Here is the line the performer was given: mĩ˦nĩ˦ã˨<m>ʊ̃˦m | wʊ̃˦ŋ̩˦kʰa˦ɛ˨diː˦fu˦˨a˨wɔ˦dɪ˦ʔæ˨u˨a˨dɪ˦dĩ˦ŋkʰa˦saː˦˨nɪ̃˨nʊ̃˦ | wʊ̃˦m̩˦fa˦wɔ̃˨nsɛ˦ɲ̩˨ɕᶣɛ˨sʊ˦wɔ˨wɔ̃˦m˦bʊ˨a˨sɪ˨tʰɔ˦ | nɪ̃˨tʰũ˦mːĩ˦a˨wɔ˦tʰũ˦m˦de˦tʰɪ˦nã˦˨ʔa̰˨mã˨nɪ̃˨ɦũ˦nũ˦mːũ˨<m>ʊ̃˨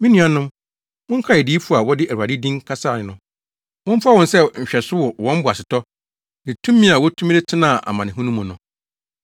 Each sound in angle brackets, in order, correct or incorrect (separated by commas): incorrect, incorrect